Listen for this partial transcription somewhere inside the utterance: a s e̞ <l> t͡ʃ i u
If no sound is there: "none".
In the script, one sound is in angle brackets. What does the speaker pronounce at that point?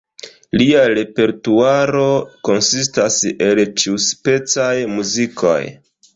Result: l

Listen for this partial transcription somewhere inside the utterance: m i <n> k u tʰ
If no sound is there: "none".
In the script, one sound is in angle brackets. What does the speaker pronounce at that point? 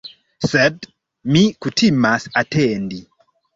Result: none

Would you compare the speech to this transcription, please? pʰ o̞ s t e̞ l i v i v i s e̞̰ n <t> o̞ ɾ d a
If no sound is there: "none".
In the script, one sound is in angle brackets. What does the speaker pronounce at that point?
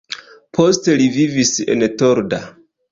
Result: t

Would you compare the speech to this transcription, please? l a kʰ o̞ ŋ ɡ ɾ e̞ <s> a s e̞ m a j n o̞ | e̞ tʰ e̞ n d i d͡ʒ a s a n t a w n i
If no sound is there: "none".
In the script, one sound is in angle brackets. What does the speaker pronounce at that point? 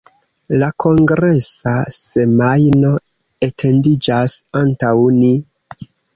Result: s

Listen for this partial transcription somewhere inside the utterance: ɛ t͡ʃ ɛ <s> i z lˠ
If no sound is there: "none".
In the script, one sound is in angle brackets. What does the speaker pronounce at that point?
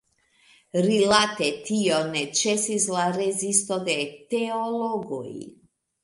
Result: s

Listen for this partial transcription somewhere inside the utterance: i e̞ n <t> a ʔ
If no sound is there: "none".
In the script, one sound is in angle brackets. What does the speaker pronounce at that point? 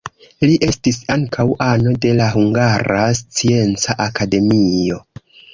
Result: t͡s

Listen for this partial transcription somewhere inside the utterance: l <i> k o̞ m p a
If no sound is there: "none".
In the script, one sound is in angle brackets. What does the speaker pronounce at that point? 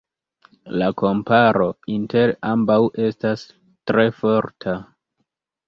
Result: a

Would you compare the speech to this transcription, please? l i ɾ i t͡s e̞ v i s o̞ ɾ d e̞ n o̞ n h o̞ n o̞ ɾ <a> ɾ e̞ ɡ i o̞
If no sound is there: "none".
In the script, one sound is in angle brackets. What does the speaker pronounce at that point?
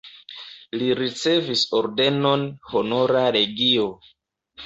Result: a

